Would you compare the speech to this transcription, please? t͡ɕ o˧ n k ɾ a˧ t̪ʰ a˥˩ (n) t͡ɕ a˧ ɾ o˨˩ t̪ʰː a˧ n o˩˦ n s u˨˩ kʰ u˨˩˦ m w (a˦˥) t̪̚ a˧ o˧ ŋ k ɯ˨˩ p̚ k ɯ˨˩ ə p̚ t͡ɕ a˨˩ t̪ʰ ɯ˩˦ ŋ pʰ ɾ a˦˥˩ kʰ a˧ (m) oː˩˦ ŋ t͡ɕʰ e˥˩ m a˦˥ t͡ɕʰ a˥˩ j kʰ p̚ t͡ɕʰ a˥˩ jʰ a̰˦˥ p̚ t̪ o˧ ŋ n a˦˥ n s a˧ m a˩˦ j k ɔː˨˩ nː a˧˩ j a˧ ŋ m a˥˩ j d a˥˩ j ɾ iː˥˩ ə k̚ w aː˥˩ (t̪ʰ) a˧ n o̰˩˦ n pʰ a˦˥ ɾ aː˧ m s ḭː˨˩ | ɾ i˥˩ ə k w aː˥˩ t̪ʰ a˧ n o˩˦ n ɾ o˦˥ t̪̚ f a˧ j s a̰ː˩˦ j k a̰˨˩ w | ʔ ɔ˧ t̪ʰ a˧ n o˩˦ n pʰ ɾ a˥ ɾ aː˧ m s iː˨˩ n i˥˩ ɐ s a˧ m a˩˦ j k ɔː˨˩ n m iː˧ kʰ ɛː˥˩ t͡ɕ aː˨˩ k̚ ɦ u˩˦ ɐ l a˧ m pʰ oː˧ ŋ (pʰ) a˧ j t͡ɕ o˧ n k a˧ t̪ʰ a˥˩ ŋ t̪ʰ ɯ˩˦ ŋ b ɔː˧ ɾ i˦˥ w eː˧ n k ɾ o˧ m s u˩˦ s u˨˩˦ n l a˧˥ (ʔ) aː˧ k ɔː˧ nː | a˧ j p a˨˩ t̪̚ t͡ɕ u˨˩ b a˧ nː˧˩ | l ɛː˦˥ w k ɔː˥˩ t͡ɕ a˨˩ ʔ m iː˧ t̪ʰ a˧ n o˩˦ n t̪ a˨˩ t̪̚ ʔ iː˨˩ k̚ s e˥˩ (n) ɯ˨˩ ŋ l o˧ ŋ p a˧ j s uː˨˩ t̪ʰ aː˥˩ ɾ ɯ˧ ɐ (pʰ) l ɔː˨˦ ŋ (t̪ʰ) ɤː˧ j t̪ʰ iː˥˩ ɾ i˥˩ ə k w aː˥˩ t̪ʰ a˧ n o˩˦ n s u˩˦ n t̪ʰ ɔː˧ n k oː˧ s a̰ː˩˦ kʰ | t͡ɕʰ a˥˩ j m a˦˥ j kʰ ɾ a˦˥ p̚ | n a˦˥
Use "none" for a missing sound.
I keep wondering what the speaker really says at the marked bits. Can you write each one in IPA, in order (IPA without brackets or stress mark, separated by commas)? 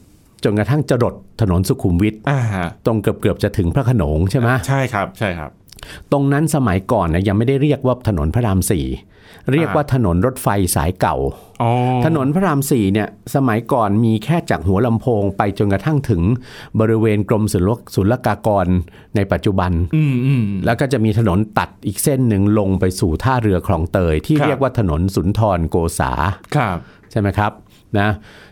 ŋ, i˦˥, n, t̪ʰ, p, k, nː, kʰ, t̪